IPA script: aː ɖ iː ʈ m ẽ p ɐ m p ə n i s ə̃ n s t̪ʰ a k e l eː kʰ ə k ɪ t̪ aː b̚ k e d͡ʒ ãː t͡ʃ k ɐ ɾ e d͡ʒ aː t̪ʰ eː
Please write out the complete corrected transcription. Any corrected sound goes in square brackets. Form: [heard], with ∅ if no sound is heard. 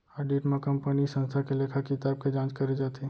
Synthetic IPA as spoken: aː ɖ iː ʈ m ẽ [k] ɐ m p ə n i s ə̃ n s t̪ʰ a k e l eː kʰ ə k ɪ t̪ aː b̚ k e d͡ʒ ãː t͡ʃ k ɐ ɾ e d͡ʒ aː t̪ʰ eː